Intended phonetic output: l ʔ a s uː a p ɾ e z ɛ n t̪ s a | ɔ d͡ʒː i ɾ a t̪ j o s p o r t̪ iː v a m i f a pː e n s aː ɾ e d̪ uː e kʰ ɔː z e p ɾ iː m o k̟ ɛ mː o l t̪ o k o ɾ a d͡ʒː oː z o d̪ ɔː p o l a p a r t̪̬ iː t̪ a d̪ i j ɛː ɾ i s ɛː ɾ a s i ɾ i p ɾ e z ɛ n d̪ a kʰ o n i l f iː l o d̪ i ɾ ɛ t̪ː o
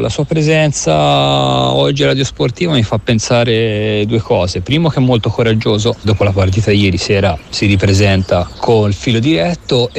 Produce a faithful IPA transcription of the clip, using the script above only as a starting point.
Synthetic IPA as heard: l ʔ a s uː a p ɾ e z ɛ n t̪ s a | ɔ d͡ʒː i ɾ a d̪ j o s p o r t̪ iː v a m i f a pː e n s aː ɾ e d̪ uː e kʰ ɔː z e p ɾ iː m o k̟ ɛ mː o l t̪ o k o ɾ a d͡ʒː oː z o d̪ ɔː p o l a p a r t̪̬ iː t̪ a d̪ i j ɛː ɾ i s ɛː ɾ a s i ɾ i p ɾ e z ɛ n t̪ a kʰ o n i l f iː l o d̪ i ɾ ɛ t̪ː o